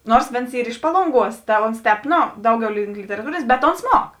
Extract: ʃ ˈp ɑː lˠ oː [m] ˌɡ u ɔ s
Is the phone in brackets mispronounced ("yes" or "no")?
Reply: yes